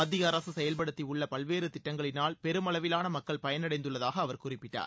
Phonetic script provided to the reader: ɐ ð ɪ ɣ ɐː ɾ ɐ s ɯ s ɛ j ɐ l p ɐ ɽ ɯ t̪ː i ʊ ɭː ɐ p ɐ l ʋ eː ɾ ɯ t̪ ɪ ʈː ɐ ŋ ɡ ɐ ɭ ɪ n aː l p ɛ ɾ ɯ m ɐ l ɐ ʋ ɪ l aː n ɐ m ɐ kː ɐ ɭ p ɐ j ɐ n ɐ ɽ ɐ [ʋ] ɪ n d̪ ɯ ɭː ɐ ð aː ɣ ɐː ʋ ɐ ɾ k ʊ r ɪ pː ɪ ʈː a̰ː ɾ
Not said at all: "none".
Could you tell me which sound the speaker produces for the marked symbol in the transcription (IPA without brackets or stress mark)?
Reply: none